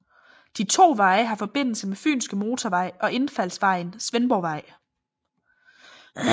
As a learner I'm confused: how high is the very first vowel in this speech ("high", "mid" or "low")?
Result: high